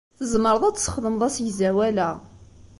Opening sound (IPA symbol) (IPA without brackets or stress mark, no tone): θ